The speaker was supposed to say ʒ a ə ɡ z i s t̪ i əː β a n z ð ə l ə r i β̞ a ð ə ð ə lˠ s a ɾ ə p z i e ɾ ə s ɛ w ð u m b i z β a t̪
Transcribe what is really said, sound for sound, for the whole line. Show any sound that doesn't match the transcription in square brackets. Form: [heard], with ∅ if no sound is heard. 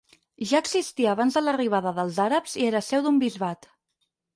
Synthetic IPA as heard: ʒ a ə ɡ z i s t̪ i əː β a n z ð ə l ə r i β̞ a ð ə ð ə lˠ [z] a ɾ ə p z i e ɾ ə s ɛ w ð u m b i z β a t̪

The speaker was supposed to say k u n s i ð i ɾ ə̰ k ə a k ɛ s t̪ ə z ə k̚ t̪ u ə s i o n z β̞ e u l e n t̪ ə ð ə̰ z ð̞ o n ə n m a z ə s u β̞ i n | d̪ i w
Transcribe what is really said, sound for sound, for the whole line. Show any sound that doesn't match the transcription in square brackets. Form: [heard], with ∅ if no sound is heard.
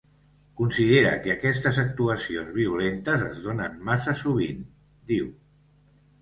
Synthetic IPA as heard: k u n s i ð [e] ɾ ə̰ k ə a k ɛ s t̪ ə z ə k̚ t̪ u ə s i o n z β̞ [i] u l e n t̪ ə [z] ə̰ z ð̞ o n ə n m a [s] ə s u β̞ i n | d̪ i w

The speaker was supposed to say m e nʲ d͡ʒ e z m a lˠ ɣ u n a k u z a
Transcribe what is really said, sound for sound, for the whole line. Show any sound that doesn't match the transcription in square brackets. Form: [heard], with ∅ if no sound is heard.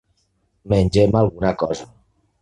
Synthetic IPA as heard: m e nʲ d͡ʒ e [∅] m a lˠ ɣ u n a k [ɔ] z a

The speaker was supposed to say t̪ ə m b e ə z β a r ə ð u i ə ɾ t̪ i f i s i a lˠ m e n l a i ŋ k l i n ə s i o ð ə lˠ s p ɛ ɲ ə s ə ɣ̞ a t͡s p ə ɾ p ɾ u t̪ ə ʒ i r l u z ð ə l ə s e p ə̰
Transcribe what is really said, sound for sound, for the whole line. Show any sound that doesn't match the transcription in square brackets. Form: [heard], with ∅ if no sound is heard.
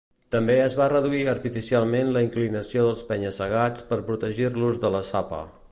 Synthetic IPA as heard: t̪ ə m b e ə z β a r ə ð u i ə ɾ t̪ i f i s i a lˠ m e n l [ə] i ŋ k l i n ə s i o ð ə lˠ s p ɛ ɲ ə s ə ɣ̞ a t͡s p ə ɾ p ɾ u t̪ ə ʒ i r l u z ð ə l ə s [a] p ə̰

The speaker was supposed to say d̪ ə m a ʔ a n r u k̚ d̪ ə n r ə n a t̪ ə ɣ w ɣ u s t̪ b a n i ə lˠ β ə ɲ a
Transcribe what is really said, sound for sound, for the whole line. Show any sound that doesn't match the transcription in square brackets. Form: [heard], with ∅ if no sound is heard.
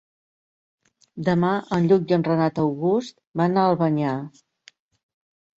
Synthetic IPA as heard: d̪ ə m a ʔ [ə] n [ʎ] u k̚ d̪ ə n r ə n a t̪ ə [∅] w ɣ u s t̪ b a n [a] ə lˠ β ə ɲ a

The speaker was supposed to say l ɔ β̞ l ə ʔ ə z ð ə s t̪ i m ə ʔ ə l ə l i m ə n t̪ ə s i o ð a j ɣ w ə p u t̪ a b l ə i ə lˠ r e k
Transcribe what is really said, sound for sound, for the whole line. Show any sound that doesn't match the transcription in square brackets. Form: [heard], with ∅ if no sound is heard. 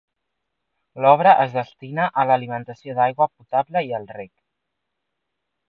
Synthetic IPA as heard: l ɔ β̞ [ɾ] ə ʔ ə z ð ə s t̪ i [n] ə ʔ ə l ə l i m ə n t̪ ə s i o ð a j ɣ w ə p u t̪ a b l ə i ə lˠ r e k

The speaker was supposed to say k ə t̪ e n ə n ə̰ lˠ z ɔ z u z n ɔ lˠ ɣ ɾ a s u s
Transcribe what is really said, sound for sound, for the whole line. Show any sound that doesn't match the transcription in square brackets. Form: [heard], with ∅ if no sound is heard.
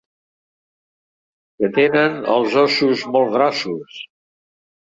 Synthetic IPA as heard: k ə t̪ e n ə n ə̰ lˠ z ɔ [s] u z [m] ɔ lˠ ɣ ɾ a s u s

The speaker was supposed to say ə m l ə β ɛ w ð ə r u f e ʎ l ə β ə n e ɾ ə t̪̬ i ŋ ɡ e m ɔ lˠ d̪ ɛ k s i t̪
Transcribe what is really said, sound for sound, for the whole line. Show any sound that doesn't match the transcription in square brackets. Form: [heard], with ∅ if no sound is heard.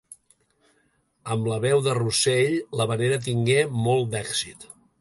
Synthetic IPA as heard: ə m l ə β ɛ w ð ə r u [s] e ʎ l ə β ə n e ɾ ə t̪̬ i ŋ ɡ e m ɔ lˠ d̪ ɛ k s i t̪

